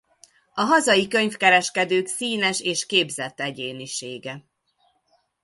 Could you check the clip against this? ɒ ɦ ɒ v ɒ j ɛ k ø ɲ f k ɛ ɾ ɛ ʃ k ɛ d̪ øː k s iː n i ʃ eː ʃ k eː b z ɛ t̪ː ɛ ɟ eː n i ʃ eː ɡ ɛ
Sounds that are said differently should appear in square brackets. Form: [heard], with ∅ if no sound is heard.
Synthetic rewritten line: ɒ ɦ ɒ [z] ɒ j [i] k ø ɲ f k ɛ ɾ ɛ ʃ k ɛ d̪ øː k s iː n [ɛ] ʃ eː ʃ k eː b z ɛ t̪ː ɛ ɟ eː n i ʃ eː ɡ ɛ